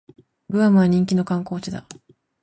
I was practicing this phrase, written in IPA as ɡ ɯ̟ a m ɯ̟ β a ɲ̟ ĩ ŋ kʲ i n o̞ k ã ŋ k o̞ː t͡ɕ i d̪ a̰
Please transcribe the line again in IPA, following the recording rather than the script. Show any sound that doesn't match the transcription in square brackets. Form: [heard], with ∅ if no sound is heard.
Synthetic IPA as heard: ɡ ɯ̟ a m ɯ̟ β a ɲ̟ ĩ ŋ kʲ i n o̞ k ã ŋ k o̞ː t͡ɕ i d̪ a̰